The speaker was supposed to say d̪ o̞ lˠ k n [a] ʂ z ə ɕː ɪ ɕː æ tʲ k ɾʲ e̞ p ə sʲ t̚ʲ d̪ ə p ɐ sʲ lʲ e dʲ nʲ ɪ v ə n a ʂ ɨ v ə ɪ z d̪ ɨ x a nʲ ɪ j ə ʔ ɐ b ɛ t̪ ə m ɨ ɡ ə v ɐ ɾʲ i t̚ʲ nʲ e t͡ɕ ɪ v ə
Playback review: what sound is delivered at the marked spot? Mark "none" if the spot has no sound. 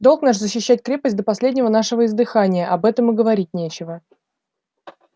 a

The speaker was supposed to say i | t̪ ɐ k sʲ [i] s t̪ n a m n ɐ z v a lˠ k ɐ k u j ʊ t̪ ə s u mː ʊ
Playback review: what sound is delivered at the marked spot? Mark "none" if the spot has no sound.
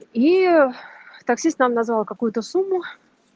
i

